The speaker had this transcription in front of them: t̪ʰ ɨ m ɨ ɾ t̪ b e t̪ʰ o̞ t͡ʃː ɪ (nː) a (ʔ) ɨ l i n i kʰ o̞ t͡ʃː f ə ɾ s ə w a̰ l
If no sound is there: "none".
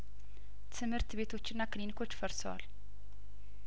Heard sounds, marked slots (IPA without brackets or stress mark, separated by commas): nː, k